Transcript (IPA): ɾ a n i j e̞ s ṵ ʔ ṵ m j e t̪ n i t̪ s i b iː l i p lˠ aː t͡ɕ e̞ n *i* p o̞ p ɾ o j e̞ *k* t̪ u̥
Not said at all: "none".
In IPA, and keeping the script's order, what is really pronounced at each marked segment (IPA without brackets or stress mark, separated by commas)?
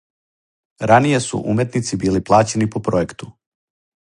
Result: i, k